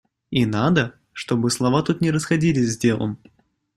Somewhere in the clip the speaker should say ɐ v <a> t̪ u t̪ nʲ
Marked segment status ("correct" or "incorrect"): correct